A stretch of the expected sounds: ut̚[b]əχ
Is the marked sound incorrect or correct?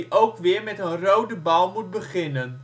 correct